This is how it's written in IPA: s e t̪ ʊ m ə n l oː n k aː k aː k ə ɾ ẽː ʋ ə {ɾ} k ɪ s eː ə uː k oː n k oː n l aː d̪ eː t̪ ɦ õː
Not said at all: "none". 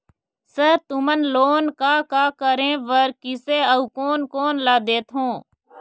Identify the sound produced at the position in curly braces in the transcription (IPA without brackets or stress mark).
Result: ɾ